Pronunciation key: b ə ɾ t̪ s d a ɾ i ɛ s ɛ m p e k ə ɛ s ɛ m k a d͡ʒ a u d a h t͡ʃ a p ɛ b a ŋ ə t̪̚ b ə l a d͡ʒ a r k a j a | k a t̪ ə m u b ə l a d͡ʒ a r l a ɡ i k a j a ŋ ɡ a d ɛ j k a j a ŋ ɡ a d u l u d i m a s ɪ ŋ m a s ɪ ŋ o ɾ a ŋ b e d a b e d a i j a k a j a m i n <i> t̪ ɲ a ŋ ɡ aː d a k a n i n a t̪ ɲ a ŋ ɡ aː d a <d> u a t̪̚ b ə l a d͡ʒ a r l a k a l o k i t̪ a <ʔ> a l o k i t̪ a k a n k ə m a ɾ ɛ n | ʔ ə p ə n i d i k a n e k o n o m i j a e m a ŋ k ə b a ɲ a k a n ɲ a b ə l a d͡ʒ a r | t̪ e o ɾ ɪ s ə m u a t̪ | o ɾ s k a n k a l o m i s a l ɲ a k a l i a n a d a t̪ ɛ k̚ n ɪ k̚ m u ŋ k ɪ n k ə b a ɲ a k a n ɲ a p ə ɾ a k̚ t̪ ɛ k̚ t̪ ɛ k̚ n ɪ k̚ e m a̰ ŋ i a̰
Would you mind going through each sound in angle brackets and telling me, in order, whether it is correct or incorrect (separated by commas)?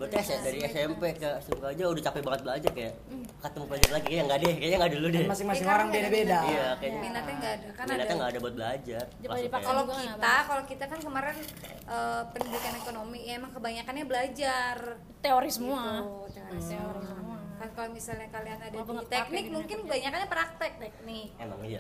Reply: incorrect, incorrect, incorrect